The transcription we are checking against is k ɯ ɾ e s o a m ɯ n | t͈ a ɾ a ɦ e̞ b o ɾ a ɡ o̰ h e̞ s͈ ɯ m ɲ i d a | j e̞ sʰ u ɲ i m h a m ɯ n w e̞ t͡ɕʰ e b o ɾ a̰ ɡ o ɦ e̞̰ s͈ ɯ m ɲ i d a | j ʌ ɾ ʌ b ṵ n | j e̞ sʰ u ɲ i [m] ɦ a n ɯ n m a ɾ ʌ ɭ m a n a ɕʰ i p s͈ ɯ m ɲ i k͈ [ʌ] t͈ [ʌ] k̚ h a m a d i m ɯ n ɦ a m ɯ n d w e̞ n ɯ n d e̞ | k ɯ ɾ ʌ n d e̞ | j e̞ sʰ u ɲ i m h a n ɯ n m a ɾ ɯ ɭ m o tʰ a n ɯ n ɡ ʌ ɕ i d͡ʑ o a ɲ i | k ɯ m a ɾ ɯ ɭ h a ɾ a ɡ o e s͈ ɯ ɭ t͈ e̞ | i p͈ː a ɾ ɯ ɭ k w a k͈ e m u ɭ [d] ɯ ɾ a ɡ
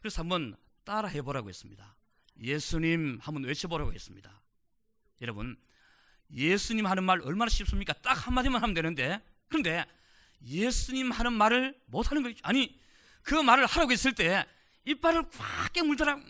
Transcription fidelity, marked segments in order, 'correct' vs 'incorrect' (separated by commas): correct, incorrect, incorrect, correct